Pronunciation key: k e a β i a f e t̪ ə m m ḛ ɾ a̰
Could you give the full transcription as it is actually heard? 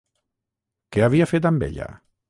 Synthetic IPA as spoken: k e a β i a f e t̪ a m b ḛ ʎ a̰